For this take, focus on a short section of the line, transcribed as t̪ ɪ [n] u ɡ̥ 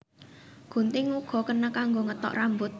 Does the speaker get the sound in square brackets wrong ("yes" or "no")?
yes